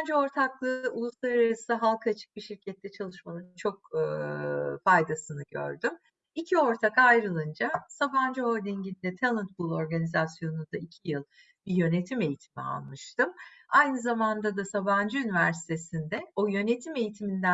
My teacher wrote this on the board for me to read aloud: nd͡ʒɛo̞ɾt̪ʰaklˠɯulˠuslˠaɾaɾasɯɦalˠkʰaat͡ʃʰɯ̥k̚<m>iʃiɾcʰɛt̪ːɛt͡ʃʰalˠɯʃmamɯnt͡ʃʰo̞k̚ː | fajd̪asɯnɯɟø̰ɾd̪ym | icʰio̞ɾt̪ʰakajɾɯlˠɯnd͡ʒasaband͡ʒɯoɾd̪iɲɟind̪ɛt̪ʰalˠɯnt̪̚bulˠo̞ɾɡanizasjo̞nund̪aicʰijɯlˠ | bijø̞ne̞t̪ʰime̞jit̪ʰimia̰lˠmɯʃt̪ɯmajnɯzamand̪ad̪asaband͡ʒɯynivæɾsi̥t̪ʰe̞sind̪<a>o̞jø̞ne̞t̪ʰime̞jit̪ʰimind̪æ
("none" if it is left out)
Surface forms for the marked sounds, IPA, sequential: b, ɛ

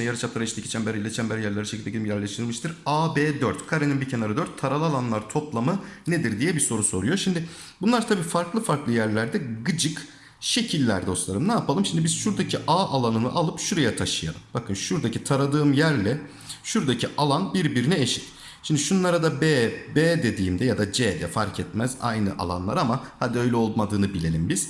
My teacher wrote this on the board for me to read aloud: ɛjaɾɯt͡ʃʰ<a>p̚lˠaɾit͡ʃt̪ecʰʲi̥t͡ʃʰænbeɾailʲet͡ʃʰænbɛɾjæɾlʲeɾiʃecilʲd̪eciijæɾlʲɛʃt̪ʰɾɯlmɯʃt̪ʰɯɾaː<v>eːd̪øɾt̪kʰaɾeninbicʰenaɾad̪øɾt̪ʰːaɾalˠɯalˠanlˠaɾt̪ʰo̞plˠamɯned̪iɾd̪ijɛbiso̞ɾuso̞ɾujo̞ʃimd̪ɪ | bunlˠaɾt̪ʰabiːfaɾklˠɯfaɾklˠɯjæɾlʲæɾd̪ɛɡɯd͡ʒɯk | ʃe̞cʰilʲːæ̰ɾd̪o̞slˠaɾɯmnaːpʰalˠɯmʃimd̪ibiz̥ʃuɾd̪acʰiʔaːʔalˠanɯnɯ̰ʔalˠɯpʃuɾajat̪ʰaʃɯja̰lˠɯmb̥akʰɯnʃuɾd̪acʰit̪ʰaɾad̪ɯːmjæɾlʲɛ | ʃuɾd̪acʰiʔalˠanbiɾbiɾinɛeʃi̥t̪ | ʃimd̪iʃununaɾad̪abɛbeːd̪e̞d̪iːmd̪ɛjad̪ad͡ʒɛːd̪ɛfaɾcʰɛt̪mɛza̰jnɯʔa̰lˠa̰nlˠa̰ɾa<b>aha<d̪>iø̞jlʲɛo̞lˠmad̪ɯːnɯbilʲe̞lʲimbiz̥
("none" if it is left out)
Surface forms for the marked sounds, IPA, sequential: a, b, m, d̪

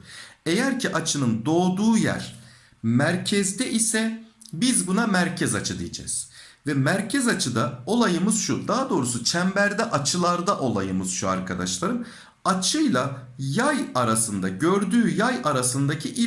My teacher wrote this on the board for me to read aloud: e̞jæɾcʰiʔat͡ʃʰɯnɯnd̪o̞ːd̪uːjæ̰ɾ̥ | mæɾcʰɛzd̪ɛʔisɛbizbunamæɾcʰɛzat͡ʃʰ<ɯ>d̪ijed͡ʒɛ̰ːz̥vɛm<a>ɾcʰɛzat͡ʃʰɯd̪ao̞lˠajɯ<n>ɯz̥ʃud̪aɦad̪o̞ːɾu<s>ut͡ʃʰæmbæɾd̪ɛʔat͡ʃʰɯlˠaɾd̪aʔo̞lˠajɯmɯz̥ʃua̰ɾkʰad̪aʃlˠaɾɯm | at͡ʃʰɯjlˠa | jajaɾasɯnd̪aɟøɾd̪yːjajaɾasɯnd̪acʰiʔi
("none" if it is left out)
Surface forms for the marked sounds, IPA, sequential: ɯ, æ, m, s

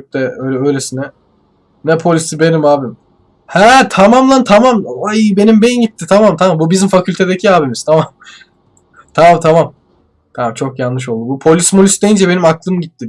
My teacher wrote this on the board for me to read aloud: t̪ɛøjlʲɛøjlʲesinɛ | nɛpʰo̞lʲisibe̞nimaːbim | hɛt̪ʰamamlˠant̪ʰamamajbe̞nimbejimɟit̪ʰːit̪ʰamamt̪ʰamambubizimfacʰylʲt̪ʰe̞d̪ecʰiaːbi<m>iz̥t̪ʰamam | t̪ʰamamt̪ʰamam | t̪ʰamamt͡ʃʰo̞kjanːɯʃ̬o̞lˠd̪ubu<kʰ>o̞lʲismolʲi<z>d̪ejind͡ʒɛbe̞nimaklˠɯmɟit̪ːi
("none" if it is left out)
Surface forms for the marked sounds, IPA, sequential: m, pʰ, s

